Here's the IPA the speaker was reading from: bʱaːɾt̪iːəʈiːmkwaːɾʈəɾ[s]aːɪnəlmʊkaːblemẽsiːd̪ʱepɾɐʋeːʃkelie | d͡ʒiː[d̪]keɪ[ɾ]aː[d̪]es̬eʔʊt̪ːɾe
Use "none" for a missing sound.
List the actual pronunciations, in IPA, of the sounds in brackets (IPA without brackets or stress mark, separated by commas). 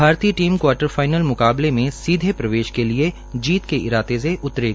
f, t̪, ɾ, t̪